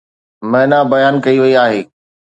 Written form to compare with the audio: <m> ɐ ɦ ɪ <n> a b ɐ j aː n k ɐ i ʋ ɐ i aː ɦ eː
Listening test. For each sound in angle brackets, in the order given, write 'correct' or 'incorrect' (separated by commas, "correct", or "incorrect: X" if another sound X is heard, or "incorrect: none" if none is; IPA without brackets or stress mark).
correct, correct